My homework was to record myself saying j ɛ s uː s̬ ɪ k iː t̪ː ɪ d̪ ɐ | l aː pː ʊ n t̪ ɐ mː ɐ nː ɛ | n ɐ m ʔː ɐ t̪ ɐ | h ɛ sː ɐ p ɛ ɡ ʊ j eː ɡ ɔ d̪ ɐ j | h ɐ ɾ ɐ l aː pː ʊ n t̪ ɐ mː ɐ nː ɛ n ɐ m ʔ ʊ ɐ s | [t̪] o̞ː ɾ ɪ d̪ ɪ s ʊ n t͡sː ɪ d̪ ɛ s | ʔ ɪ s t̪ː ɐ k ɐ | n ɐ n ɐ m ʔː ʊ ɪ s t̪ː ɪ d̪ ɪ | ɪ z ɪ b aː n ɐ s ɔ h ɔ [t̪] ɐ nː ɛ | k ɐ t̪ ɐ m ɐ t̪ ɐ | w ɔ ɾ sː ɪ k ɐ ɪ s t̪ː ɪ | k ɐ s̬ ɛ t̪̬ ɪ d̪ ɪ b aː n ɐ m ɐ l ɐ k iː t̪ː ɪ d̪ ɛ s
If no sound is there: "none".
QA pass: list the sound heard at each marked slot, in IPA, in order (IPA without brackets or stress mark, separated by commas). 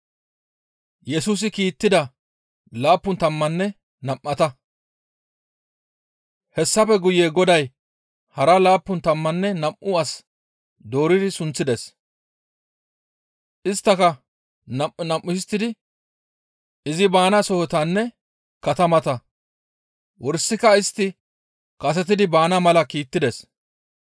d̪, t̪